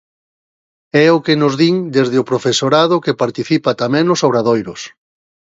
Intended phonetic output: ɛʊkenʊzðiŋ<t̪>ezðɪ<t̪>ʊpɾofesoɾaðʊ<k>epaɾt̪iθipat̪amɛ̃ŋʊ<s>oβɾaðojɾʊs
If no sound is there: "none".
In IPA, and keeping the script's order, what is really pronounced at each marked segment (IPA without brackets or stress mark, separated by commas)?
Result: d̪, none, k, s